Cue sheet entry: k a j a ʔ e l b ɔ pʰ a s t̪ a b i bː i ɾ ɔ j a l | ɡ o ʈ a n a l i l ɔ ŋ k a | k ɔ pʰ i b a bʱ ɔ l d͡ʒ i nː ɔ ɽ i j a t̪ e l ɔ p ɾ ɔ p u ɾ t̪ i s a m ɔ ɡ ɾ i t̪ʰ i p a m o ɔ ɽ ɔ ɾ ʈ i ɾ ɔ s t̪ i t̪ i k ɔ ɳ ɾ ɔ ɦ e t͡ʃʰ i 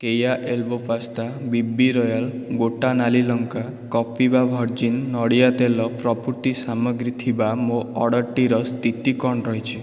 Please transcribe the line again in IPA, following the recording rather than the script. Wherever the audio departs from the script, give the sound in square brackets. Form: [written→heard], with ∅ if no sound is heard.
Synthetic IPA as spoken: k [a→e] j a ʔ e l b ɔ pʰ a s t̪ a b i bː i ɾ ɔ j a l | ɡ o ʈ a n a l i l ɔ ŋ k a | k ɔ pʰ i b a bʱ ɔ [l→ɾ] d͡ʒ i nː ɔ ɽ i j a t̪ e l ɔ p ɾ ɔ p u ɾ t̪ i s a m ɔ ɡ ɾ i t̪ʰ i [p→b] a m o ɔ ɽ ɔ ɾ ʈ i ɾ ɔ s t̪ i t̪ i k ɔ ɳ ɾ ɔ ɦ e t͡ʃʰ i